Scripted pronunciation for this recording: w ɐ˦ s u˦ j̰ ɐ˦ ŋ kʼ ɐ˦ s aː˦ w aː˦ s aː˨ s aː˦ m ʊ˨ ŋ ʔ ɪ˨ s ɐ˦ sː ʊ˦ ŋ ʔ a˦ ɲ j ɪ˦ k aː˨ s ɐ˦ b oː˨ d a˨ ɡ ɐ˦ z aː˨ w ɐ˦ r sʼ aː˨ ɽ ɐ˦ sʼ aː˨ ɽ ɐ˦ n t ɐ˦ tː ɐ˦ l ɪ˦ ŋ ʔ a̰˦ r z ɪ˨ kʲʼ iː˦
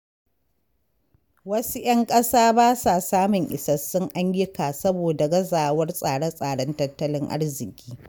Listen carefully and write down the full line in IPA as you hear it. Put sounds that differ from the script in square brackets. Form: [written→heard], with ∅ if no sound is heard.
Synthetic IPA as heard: w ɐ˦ s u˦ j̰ ɐ˦ ŋ kʼ ɐ˦ s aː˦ [w→b] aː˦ s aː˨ s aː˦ m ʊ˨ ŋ ʔ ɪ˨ s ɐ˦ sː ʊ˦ ŋ ʔ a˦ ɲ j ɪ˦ k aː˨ s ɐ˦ b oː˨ d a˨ ɡ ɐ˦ z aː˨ w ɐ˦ r sʼ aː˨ ɽ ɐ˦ sʼ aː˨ ɽ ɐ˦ n t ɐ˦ tː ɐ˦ l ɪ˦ ŋ ʔ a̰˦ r z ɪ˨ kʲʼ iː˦